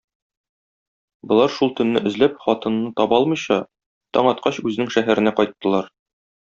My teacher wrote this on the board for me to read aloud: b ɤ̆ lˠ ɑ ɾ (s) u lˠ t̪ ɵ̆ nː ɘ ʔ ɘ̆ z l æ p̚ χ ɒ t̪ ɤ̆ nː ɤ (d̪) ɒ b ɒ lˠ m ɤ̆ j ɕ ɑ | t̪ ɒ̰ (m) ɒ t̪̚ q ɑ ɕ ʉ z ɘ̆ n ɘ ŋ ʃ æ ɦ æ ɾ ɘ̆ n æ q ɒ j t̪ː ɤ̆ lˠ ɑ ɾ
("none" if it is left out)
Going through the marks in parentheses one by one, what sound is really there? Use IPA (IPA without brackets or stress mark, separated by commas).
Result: ʃ, t̪, ɴ